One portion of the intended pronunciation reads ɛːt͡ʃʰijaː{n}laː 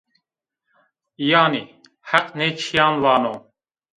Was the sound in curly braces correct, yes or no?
yes